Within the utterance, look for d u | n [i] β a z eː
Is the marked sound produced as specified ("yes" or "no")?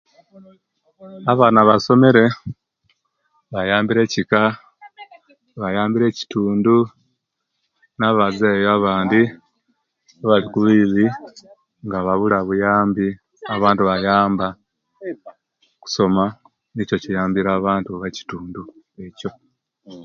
no